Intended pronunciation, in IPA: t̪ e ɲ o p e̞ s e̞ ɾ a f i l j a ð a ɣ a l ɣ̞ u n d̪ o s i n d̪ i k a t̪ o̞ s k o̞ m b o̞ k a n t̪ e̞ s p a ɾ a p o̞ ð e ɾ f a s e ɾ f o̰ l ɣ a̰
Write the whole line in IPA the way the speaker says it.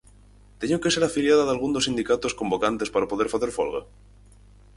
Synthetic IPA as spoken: t̪ e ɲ o k e̞ s e̞ ɾ a f i l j a ð a ð a l ɣ̞ u n d̪ o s i n d̪ i k a t̪ o̞ s k o̞ m b o̞ k a n t̪ e̞ s p a ɾ a p o̞ ð e ɾ f a θ e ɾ f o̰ l ɣ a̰